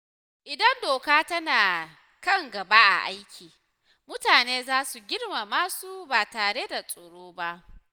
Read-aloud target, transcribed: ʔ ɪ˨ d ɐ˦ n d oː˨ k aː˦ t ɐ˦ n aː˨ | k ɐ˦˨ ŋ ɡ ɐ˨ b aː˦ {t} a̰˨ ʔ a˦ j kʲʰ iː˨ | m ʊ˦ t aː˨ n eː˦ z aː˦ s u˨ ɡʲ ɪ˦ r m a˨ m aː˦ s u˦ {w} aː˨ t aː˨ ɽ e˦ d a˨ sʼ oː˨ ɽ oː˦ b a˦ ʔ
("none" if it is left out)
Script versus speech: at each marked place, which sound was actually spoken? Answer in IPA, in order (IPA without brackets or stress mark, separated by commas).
ʔ, b